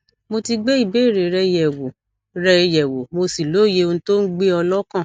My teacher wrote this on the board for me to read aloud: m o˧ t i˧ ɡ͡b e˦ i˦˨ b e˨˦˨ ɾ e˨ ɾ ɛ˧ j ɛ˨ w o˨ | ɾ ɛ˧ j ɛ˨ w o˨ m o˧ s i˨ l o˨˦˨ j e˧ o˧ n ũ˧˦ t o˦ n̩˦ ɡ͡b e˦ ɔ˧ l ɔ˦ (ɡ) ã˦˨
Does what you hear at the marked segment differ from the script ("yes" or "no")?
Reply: yes